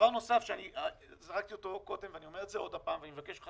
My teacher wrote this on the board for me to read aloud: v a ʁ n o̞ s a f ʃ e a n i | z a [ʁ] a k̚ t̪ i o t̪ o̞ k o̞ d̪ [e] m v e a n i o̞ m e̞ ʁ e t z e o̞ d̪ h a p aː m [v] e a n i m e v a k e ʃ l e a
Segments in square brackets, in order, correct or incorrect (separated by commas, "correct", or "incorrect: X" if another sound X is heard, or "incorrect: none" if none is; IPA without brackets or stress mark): correct, correct, correct